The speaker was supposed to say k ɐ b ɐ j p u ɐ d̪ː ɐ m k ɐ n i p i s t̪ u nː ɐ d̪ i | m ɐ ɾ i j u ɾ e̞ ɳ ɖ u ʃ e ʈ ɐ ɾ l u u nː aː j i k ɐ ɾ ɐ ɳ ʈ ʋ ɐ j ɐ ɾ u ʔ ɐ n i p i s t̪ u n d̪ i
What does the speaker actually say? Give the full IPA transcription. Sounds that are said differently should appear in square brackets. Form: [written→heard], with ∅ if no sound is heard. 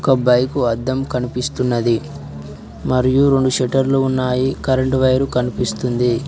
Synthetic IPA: k ɐ b ɐ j [p→k] u ɐ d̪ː ɐ m k ɐ n i p i s t̪ u nː ɐ d̪ i | m ɐ ɾ i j u ɾ e̞ ɳ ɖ u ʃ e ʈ ɐ ɾ l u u nː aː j i k ɐ ɾ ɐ ɳ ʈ ʋ ɐ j ɐ ɾ u [ʔ→k] ɐ n i p i s t̪ u n d̪ i